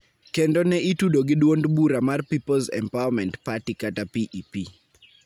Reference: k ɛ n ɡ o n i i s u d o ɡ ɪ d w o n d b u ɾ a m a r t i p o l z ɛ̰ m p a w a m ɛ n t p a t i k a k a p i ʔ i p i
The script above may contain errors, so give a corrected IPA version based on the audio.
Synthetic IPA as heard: k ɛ n d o n ɛ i t u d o ɡ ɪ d w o n d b u ɾ a m a r p i p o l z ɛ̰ m p a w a m ɛ n t p a t i k a t a p i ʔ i p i